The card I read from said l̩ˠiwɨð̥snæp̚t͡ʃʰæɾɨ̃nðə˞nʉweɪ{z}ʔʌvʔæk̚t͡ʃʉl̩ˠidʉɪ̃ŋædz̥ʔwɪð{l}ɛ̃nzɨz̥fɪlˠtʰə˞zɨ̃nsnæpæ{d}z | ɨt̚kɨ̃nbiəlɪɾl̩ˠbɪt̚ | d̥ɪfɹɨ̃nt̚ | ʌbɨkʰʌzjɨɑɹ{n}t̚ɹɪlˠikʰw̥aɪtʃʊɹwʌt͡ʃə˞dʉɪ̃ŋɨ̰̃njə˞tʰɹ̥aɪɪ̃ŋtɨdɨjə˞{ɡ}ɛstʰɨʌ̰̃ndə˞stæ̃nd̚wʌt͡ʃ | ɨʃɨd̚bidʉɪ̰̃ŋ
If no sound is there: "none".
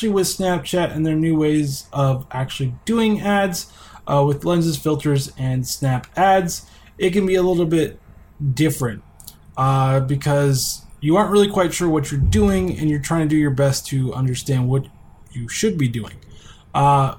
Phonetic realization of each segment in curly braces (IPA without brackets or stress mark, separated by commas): z, l, d, n, b